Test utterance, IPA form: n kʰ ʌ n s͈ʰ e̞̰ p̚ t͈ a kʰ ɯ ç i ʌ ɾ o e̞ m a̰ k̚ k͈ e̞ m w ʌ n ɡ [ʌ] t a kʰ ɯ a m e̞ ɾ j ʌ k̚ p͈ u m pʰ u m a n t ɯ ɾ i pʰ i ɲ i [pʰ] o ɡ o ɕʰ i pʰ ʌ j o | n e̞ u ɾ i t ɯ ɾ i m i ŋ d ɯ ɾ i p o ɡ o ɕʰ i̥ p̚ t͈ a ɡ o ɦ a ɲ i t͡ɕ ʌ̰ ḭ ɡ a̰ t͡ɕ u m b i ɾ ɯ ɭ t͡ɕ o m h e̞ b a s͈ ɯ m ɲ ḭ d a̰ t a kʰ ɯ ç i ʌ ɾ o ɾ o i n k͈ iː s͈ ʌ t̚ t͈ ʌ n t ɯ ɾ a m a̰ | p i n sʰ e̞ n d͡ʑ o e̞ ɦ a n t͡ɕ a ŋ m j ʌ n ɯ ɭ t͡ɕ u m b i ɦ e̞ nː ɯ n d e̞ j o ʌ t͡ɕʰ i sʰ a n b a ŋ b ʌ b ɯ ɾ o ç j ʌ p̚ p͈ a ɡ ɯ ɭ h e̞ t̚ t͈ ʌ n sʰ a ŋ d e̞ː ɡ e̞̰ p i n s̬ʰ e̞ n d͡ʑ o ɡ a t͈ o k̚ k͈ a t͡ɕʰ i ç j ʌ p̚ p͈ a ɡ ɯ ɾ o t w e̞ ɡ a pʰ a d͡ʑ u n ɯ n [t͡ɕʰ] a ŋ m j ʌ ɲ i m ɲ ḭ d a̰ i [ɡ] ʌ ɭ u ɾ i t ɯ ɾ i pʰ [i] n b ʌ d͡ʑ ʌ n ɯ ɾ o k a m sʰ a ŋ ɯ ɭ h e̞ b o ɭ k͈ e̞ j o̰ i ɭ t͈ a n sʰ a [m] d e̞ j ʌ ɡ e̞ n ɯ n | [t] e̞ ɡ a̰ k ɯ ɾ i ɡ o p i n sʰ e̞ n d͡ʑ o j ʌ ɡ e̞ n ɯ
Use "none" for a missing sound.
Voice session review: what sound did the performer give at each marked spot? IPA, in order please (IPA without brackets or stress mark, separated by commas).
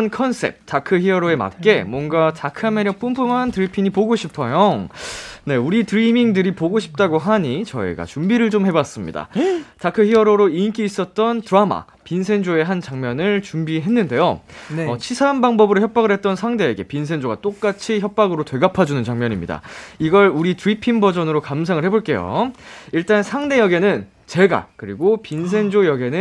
a, p, t͡ɕ, ɡ, i, ŋ, t͡ɕ